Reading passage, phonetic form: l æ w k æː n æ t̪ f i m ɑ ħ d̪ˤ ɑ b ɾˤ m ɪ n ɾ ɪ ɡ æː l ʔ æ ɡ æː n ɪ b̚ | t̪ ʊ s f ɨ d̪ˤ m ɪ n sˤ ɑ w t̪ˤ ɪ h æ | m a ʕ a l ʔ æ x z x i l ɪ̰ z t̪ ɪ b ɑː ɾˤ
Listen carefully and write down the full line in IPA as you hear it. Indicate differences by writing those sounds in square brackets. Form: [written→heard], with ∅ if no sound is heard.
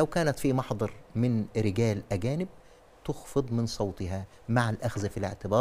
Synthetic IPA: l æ w k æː n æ t̪ f i m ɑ ħ d̪ˤ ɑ [b→∅] ɾˤ m ɪ n ɾ ɪ ɡ æː l ʔ æ ɡ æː n ɪ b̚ | t̪ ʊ [s→x] f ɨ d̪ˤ m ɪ n sˤ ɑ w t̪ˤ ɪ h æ | m a ʕ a l ʔ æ x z [x→f] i l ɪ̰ [z→ʕ] t̪ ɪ b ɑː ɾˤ